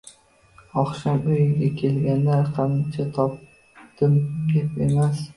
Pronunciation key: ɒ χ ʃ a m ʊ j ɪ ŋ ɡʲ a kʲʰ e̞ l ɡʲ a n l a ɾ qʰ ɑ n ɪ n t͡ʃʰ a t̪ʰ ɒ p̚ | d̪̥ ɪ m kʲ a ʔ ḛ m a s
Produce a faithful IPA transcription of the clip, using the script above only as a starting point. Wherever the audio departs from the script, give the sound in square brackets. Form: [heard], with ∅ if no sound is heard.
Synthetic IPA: ɒ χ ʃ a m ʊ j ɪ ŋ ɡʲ a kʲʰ e̞ l ɡʲ a n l a ɾ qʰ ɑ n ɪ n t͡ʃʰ a t̪ʰ ɒ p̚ | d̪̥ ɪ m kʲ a [p] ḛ m a s